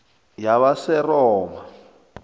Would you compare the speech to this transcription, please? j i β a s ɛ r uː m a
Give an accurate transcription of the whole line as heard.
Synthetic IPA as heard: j a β a s ɛ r ɔː m a